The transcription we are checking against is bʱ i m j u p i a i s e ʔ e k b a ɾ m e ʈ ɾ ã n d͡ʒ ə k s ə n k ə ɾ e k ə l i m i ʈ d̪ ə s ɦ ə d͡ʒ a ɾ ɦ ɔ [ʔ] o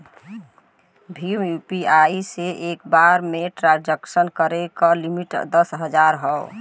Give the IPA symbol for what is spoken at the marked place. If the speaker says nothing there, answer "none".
none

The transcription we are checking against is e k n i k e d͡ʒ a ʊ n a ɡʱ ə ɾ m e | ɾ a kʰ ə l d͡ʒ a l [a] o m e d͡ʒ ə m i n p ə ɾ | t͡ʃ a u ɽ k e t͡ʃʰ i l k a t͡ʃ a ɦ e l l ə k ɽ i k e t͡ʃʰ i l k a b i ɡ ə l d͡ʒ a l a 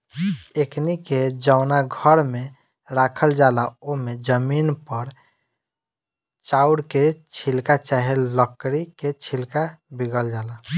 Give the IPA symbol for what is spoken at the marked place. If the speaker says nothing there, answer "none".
a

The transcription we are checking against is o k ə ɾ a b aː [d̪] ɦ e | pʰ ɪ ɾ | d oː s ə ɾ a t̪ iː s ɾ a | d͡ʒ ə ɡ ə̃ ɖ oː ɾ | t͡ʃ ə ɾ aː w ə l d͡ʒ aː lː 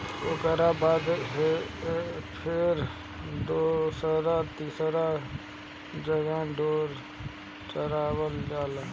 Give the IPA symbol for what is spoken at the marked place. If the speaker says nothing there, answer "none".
d̪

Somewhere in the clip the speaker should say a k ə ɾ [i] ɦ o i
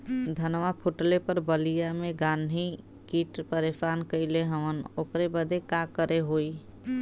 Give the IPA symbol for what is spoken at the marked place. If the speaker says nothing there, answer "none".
e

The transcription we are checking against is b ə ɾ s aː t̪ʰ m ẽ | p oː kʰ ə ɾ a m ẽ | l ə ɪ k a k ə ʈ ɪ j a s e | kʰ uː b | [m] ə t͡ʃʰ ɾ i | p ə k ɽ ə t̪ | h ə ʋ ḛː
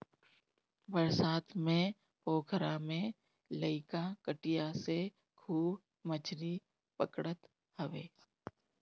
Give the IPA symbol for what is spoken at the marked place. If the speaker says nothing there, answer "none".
m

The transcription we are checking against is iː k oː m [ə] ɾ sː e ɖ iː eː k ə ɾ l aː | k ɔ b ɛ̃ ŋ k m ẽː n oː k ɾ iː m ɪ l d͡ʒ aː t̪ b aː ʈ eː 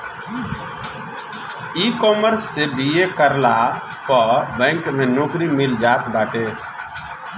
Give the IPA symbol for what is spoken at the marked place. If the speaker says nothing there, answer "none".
ə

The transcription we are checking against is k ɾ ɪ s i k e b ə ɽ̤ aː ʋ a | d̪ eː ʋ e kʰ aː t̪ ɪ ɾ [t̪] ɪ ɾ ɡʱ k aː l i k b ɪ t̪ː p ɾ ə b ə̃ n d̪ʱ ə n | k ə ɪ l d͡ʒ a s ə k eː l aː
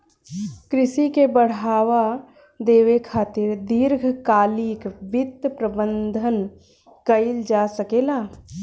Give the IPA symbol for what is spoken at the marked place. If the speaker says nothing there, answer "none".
d̪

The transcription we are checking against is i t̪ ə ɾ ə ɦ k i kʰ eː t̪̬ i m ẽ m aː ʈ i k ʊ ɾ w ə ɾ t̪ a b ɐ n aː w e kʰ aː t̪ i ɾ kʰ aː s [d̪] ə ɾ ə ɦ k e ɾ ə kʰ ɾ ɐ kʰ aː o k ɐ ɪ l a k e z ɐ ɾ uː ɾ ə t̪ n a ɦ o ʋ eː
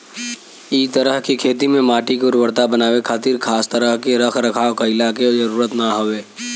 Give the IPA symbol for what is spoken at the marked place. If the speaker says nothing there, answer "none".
t̪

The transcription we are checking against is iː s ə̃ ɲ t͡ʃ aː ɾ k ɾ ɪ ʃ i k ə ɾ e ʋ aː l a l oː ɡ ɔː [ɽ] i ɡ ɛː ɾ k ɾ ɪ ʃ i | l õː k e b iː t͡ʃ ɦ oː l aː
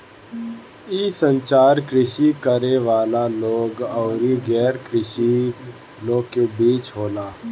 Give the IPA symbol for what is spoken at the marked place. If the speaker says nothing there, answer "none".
ɾ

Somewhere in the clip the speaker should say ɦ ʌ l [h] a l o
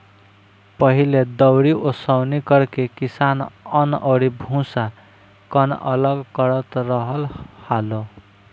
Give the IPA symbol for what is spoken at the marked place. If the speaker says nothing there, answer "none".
h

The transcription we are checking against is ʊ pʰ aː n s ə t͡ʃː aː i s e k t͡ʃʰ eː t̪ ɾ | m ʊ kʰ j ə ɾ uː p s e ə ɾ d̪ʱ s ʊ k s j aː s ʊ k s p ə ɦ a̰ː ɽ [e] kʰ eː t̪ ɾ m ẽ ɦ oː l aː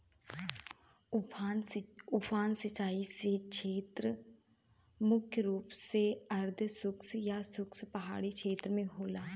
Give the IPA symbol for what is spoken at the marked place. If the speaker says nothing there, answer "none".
i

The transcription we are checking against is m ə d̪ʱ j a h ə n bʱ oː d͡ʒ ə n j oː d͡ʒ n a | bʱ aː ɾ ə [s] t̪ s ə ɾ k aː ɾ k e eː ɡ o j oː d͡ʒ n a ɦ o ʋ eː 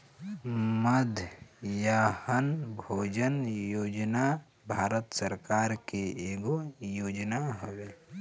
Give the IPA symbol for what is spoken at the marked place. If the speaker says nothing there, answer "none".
none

